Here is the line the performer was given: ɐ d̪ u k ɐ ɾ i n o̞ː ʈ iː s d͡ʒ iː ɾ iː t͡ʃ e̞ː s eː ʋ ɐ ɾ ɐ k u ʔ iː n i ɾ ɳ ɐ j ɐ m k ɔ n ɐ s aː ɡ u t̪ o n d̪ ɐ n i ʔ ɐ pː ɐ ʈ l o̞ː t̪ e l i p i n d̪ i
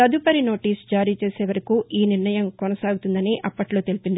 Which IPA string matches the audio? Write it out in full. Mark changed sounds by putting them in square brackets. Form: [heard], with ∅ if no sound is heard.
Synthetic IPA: ɐ d̪ u [p] ɐ ɾ i n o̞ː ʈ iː s d͡ʒ [aː] ɾ iː t͡ʃ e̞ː s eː ʋ ɐ ɾ ɐ k u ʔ iː n i ɾ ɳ ɐ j ɐ m k ɔ n ɐ s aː ɡ u t̪ [u] n d̪ ɐ n i ʔ ɐ pː ɐ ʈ l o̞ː t̪ e l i p i n d̪ i